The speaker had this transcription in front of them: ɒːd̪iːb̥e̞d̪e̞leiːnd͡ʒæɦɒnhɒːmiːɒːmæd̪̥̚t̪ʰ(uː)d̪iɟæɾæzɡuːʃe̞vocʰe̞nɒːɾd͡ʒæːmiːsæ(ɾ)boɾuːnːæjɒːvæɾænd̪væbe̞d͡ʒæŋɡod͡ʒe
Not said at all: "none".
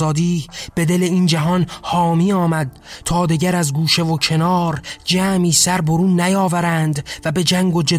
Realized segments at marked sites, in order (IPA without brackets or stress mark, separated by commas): ɒː, ɾ